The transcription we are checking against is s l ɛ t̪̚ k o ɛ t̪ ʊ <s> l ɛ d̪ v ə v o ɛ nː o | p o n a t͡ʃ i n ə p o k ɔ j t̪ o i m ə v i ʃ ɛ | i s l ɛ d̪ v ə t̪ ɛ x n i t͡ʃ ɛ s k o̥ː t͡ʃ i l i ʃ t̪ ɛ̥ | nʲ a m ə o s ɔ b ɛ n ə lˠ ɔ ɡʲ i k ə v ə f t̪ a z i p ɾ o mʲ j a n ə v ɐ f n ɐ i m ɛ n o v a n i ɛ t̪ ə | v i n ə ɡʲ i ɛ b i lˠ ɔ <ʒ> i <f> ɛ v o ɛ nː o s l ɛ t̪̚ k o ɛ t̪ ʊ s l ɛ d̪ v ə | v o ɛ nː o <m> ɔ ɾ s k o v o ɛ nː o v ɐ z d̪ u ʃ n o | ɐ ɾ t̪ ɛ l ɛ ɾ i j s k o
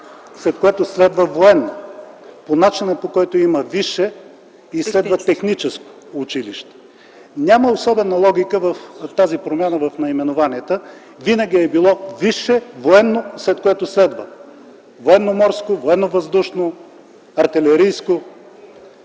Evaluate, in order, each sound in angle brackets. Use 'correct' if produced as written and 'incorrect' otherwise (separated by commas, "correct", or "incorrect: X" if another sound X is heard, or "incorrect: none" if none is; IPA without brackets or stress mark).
correct, incorrect: v, incorrect: ʃ, correct